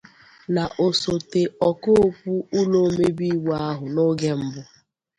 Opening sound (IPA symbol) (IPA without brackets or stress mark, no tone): n